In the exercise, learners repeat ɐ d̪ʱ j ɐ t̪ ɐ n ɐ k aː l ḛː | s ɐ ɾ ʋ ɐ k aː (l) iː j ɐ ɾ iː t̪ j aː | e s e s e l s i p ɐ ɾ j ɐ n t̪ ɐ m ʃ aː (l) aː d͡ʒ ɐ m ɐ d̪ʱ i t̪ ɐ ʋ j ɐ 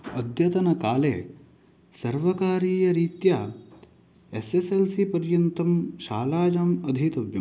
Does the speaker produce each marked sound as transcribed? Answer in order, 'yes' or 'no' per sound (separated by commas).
no, yes